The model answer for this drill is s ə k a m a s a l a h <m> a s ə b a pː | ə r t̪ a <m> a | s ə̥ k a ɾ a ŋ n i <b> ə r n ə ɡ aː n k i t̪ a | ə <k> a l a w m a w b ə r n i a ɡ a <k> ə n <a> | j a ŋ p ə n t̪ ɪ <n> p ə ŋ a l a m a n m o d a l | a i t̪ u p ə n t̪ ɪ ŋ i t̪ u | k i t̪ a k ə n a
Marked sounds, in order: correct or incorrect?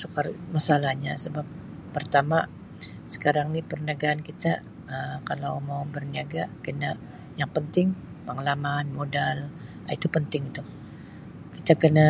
incorrect, correct, incorrect, correct, correct, correct, incorrect

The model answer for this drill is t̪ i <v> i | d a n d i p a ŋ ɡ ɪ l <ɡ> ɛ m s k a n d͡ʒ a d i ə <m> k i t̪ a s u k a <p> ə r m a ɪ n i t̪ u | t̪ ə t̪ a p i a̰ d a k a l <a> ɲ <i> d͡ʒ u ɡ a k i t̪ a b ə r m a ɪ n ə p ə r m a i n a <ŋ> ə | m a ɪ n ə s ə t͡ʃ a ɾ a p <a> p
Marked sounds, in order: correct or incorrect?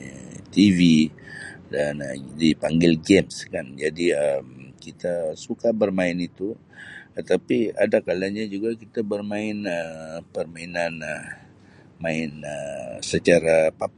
correct, correct, correct, incorrect, correct, incorrect, incorrect, correct

